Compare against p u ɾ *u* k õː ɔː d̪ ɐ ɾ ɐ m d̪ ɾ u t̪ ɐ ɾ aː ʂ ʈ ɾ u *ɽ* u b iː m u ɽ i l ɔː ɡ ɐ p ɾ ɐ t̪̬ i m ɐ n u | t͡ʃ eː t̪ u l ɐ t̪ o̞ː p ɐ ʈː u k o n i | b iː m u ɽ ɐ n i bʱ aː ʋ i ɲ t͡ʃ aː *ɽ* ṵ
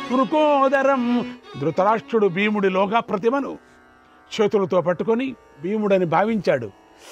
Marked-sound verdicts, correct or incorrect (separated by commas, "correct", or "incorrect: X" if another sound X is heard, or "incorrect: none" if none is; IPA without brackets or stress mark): correct, correct, correct